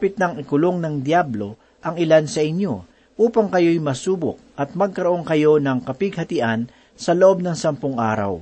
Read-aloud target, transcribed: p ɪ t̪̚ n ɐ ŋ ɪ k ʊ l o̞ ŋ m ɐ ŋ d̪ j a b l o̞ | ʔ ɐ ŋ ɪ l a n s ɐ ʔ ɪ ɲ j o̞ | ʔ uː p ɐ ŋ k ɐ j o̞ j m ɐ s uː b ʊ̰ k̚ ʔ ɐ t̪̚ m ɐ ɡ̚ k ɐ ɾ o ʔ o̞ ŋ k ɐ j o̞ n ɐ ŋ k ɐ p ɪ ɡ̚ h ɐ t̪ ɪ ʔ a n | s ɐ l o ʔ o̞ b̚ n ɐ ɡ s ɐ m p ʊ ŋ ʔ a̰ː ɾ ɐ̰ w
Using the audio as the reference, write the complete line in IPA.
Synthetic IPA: p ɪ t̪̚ n ɐ ŋ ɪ k ʊ l o̞ ŋ n ɐ ŋ d̪ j a b l o̞ | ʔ ɐ ŋ ɪ l a n s ɐ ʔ ɪ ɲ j o̞ | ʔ uː p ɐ ŋ k ɐ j o̞ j m ɐ s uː b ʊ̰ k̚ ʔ ɐ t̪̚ m ɐ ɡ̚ k ɐ ɾ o ʔ o̞ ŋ k ɐ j o̞ n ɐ ŋ k ɐ p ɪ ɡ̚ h ɐ t̪ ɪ ʔ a n | s ɐ l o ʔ o̞ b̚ n ɐ ŋ s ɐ m p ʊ ŋ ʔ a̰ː ɾ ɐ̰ w